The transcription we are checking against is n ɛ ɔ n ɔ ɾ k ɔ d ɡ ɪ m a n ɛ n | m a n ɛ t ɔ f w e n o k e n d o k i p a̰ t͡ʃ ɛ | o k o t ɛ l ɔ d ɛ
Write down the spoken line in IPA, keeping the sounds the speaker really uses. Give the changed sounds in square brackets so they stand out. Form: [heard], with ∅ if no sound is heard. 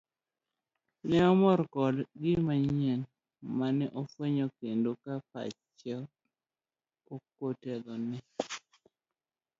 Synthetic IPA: n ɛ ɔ [m] ɔ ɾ k ɔ d ɡ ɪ m a [ɲ] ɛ n | m a n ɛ [ʔ] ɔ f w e [ɲ] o k e n d o k [a] p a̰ t͡ʃ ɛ | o k o t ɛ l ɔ [n] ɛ

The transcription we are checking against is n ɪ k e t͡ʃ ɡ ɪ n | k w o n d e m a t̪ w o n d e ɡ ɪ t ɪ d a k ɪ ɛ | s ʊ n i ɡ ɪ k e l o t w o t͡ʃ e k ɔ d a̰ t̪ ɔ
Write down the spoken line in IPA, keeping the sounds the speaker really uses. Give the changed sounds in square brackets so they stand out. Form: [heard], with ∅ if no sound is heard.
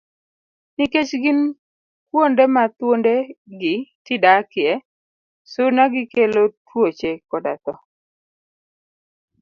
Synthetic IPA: n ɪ k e t͡ʃ ɡ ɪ n | k w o n d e m a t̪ w o n d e ɡ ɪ t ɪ d a k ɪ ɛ | s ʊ n [a] ɡ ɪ k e l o t w o t͡ʃ e k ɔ d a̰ t̪ ɔ

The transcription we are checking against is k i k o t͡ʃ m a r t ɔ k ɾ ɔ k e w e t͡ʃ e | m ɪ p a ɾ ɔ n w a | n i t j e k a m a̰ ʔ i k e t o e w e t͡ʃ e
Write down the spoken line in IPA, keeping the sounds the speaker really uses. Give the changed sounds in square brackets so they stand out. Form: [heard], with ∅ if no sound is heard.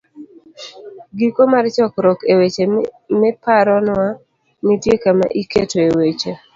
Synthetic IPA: [ɡ] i k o [∅] m a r [t͡ʃ] ɔ k ɾ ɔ k e w e t͡ʃ e | m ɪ p a ɾ ɔ n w a | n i t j e k a m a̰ ʔ i k e t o e w e t͡ʃ e

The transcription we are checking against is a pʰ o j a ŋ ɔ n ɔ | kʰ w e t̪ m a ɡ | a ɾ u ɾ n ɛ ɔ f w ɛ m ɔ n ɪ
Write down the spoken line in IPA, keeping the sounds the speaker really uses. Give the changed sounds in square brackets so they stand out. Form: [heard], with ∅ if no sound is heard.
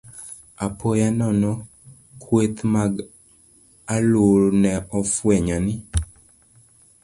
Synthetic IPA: a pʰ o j a [n] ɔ n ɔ | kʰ w e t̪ m a ɡ | a [l] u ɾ n ɛ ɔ f w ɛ [ɲ] ɔ n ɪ

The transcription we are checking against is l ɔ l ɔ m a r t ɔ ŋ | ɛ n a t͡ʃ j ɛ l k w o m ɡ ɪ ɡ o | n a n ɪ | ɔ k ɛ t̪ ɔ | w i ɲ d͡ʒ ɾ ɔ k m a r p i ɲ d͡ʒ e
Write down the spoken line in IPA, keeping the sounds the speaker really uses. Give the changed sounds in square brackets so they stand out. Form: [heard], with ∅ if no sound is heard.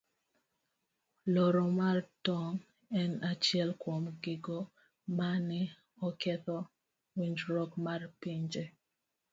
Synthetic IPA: l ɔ [ɾ] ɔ m a r t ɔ ŋ | ɛ n a t͡ʃ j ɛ l k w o m ɡ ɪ ɡ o | [m] a n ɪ | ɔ k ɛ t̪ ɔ | w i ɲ d͡ʒ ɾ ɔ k m a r p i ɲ d͡ʒ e

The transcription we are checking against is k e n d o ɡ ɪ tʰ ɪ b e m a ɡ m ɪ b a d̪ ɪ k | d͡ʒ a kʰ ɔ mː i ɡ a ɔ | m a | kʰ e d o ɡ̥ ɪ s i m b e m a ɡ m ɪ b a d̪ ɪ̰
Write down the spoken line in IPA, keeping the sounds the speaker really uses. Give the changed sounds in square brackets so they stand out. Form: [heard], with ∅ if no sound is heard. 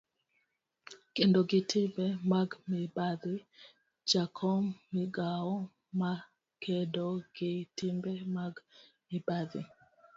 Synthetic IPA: k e n d o ɡ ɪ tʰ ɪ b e m a ɡ m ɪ b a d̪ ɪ [∅] | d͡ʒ a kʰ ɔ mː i ɡ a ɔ | m a | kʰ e d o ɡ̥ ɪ [t] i m b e m a ɡ m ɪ b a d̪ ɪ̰

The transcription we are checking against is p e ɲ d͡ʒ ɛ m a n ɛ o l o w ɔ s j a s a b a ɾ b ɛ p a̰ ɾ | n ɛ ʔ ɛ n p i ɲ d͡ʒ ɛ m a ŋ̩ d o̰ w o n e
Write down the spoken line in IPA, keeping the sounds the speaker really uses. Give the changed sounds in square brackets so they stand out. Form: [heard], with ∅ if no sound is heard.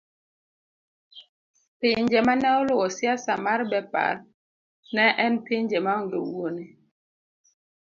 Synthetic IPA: p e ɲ d͡ʒ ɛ m a n ɛ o l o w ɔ s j a s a [m] a ɾ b ɛ p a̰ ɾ | n ɛ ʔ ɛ n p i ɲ d͡ʒ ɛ m a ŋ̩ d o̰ w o n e

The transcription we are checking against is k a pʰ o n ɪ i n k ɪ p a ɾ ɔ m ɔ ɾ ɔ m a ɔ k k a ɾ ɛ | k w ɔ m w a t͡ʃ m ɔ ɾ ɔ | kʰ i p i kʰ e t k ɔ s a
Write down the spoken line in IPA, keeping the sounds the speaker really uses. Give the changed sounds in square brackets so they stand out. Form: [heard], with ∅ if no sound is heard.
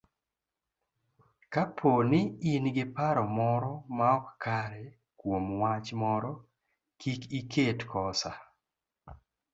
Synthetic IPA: k a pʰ o n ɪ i n [ɡ] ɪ p a ɾ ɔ m ɔ ɾ ɔ m a ɔ k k a ɾ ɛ | k w [o] m w a t͡ʃ m ɔ ɾ ɔ | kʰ i [k] i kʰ e t k ɔ s a

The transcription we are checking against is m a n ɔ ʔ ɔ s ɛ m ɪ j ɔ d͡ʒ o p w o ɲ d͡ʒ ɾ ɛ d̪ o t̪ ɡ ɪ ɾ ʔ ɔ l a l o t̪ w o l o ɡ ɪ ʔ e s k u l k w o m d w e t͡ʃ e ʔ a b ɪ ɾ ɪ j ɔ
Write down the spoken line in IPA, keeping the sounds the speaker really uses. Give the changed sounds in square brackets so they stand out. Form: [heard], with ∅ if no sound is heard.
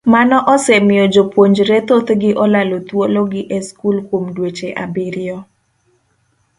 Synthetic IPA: m a n ɔ ʔ ɔ s ɛ m ɪ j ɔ d͡ʒ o p w o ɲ d͡ʒ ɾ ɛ [t̪] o t̪ ɡ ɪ [∅] ʔ ɔ l a l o t̪ w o l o ɡ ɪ ʔ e s k u l k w o m d w e t͡ʃ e ʔ a b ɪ ɾ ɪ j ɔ

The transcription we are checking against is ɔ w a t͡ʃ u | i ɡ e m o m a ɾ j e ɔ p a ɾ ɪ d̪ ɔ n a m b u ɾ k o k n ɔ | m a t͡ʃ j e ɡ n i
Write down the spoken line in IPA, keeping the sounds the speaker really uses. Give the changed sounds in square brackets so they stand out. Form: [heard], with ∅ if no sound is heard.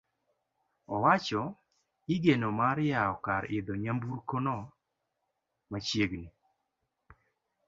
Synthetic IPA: ɔ w a t͡ʃ [ɔ] | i ɡ e [n] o m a ɾ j [a] ɔ [k] a ɾ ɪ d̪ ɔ [ɲ] a m b u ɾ k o [∅] n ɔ | m a t͡ʃ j e ɡ n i

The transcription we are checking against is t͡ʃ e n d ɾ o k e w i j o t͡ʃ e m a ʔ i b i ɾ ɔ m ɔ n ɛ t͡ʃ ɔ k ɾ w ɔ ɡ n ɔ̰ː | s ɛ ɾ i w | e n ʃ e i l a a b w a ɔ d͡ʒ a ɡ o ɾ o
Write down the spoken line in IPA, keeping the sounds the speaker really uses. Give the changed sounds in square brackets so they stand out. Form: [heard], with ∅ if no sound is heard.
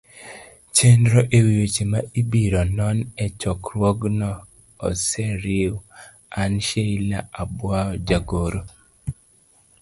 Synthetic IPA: t͡ʃ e n d ɾ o [ʔ] e w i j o t͡ʃ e m a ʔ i b i ɾ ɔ [n] ɔ n ɛ t͡ʃ ɔ k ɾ w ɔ ɡ n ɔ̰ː | s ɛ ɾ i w | [a] n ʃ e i l a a b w a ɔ d͡ʒ a ɡ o ɾ o

